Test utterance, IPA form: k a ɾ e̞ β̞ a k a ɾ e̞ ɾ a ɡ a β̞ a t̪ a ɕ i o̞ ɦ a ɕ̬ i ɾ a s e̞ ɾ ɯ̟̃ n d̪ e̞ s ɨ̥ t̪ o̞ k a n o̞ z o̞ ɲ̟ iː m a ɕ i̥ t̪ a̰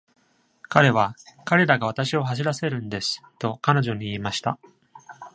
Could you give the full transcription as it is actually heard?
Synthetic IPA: k a ɾ e̞ β̞ a k a ɾ e̞ ɾ a ɡ a β̞ a t̪ a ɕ i o̞ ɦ a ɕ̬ i ɾ a s e̞ ɾ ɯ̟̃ n d̪ e̞ s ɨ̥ t̪ o̞ k a n o̞ ʑ o̞ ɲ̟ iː m a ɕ i̥ t̪ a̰